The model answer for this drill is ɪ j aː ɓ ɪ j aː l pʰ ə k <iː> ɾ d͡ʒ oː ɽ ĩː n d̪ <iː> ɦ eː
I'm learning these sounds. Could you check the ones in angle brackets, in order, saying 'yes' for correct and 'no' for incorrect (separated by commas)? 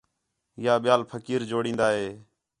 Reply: yes, no